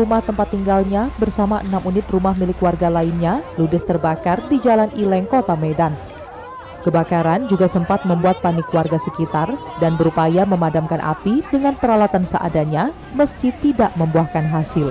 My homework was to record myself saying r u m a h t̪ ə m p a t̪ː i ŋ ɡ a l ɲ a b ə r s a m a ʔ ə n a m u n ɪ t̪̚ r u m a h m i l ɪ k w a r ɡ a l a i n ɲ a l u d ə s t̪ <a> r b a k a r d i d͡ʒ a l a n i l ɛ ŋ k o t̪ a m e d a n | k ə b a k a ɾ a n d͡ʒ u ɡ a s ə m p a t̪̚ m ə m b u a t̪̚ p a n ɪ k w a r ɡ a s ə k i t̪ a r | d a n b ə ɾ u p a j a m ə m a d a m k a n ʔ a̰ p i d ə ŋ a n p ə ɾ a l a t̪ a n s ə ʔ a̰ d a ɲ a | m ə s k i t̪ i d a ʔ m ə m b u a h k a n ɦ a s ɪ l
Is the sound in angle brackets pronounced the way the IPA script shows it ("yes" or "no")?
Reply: no